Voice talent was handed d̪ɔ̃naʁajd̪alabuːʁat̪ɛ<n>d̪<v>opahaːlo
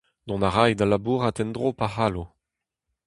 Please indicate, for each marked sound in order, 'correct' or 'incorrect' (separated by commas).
correct, incorrect